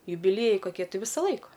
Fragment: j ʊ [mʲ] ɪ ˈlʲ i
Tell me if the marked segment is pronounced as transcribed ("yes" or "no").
no